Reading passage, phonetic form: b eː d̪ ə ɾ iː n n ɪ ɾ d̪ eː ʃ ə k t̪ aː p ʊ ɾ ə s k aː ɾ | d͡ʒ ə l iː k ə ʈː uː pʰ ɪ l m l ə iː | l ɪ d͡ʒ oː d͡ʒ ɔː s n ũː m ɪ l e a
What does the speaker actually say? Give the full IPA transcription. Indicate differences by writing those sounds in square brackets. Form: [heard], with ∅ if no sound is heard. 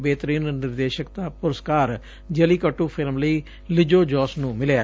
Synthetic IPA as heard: b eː [t̪] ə ɾ iː n n ɪ ɾ d̪ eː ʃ ə k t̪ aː p ʊ ɾ ə s k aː ɾ | d͡ʒ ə l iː k ə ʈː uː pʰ ɪ l m l ə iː | l ɪ d͡ʒ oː d͡ʒ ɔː s n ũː m ɪ l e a